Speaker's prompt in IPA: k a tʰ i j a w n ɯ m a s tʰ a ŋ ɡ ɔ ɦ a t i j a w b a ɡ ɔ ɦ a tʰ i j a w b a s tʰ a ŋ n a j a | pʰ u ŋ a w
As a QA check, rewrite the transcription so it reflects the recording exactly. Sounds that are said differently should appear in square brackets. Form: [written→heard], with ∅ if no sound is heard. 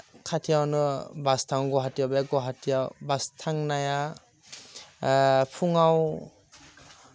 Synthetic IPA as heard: [k→kʰ] a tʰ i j a w n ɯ [m→b] a s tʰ a ŋ ɡ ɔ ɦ a t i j a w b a ɡ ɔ ɦ a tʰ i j a w b a s tʰ a ŋ n a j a | pʰ u ŋ a w